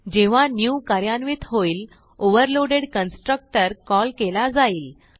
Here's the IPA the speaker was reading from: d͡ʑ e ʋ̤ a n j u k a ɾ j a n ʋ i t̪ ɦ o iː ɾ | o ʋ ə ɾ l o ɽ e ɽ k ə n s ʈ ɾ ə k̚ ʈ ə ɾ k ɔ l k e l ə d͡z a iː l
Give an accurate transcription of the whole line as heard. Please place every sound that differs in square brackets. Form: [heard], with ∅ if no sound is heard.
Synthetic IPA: d͡ʑ e ʋ̤ a n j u k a ɾ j a n ʋ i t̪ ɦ o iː [l] | o ʋ ə ɾ l o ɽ e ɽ k ə n s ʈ ɾ ə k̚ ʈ ə ɾ k ɔ l k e l [a] d͡z a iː l